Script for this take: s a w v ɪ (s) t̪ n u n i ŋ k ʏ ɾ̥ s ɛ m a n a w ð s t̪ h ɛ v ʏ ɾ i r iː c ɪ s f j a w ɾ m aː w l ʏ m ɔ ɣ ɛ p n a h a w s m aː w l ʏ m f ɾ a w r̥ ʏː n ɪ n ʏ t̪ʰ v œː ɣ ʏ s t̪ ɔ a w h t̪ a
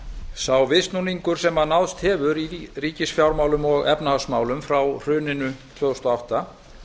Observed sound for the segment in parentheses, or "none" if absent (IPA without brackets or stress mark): s